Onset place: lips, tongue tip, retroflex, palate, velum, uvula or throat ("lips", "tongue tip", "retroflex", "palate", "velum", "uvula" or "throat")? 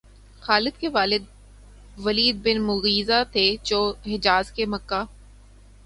velum